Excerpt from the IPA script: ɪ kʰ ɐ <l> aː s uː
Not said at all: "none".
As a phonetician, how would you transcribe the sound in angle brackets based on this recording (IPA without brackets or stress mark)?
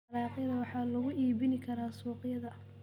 ɾ